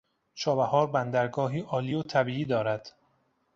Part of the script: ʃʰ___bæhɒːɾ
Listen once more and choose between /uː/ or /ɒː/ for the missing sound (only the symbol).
ɒː